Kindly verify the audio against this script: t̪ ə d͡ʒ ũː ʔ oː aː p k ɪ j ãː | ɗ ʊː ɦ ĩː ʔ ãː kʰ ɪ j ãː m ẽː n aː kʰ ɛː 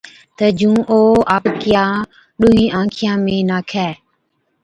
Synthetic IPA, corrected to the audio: t̪ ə d͡ʒ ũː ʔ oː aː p k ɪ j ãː | ɗ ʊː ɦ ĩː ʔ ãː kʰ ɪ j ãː m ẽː n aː kʰ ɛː